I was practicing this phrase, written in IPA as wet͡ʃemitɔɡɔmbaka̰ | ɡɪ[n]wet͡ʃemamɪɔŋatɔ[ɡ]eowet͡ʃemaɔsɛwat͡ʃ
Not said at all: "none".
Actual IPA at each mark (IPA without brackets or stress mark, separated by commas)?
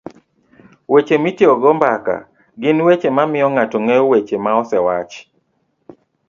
n, ŋ